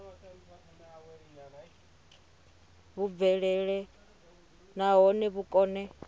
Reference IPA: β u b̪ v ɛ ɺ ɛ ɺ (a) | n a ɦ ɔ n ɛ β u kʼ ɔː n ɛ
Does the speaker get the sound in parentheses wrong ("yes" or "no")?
yes